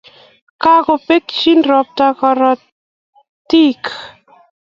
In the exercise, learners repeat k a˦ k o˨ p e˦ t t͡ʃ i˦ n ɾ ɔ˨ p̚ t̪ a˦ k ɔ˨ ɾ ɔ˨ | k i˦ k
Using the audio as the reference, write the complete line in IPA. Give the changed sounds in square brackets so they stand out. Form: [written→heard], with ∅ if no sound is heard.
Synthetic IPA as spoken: k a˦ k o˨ p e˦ [t→k] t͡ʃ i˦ n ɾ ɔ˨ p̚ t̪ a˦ k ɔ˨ ɾ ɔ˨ | [k→t] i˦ k